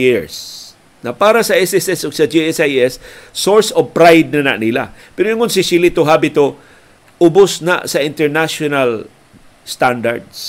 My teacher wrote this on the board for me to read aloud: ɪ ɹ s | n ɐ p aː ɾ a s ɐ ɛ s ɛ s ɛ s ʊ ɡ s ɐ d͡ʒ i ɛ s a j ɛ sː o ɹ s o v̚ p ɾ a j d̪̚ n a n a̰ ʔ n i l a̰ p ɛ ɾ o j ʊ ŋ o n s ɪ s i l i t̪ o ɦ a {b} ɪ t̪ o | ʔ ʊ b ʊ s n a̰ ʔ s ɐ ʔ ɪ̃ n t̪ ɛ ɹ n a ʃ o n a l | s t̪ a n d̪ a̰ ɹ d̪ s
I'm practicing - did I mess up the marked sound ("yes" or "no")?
no